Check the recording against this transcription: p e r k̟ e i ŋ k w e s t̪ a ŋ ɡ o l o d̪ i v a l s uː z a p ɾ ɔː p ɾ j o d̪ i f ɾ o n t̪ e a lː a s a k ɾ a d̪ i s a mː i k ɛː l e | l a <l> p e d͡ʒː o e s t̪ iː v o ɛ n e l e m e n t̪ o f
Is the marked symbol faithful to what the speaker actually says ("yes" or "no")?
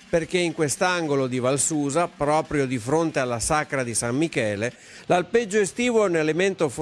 yes